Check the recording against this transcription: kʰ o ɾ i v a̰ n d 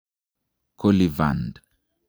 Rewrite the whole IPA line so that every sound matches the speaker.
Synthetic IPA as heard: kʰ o l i v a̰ n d